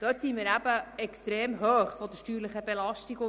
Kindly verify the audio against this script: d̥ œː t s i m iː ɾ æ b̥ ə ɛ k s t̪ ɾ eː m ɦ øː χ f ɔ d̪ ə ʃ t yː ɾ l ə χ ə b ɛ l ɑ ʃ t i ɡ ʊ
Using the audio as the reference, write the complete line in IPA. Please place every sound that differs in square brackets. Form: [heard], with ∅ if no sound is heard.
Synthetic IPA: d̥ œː t s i m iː ɾ æ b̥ ə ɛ k s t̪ ɾ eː m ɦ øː χ f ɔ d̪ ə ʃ t yː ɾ l ə χ ə b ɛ l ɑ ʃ t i ɡ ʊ